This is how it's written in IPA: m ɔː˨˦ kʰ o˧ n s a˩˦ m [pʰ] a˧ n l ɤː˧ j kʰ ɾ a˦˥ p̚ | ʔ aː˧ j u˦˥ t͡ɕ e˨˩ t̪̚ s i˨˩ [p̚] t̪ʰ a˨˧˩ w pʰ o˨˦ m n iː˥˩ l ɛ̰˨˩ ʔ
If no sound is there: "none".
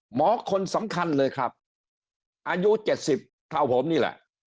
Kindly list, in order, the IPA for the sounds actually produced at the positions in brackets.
kʰ, p̚

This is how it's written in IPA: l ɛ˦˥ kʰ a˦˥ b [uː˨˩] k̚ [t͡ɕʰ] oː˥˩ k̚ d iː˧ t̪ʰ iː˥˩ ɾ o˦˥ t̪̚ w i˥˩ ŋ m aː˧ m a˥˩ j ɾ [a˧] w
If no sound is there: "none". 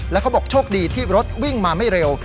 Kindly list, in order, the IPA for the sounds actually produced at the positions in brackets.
ɔː˨˩, t͡ɕʰ, e˧

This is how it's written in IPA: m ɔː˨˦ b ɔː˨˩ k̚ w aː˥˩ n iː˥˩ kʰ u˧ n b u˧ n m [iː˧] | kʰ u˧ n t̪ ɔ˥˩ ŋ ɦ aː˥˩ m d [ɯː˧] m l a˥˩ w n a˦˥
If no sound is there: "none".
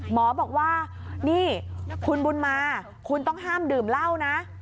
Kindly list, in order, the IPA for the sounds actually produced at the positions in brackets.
aː˧, ɯː˨˩

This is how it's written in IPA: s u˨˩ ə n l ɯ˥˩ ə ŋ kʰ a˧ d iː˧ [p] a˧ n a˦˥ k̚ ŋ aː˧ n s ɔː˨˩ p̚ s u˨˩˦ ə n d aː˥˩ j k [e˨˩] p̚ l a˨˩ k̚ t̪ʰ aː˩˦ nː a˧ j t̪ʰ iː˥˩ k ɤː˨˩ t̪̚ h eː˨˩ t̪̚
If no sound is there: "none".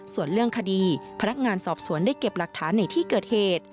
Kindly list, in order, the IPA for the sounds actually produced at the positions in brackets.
pʰ, e˨˩

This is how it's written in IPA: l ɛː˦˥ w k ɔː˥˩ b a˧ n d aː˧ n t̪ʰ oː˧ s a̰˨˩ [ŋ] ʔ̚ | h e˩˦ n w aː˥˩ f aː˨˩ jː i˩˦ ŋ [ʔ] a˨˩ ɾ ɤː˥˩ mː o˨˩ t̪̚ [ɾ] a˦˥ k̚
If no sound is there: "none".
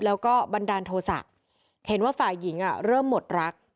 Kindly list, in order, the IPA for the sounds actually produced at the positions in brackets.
none, ʔ, ɾ

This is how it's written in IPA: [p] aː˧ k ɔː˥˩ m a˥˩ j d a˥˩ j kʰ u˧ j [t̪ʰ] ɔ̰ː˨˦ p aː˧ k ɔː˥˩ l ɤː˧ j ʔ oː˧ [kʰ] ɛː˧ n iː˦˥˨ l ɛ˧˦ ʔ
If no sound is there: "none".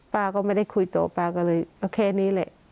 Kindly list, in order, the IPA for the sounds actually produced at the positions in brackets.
p, t̪, kʰ

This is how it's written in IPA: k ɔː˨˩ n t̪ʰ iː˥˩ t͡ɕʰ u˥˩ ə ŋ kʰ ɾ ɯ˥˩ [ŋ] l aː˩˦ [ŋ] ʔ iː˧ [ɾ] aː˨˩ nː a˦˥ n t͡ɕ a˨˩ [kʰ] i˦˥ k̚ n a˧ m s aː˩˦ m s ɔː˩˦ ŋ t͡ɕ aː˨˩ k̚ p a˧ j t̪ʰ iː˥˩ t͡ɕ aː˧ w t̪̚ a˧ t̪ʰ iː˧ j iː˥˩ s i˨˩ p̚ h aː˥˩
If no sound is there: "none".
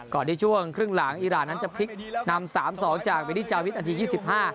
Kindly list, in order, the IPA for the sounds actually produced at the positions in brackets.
ŋ, ŋ, ɾ, pʰ

